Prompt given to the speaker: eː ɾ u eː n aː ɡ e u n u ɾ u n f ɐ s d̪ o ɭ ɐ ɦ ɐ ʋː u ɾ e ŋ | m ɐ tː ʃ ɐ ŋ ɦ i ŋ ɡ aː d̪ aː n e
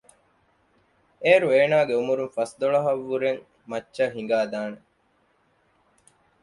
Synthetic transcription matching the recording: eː ɾ u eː n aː ɡ e u m u ɾ u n f ɐ s d̪ o ɭ ɐ ɦ ɐ ʋː u ɾ e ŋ | m ɐ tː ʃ ɐ ɦ i ŋ ɡ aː d̪ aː n e